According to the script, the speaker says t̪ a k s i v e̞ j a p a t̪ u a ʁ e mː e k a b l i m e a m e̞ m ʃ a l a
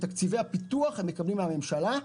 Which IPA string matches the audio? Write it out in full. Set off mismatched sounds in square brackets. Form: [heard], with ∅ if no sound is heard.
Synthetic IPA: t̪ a k [t͡s] i v e̞ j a p [i] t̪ u a [χ] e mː e k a b l i m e a m e̞ m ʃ a l a